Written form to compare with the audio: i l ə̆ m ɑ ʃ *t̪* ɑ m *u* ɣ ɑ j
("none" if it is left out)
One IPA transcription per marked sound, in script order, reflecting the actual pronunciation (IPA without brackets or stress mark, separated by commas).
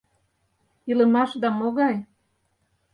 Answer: d̪, o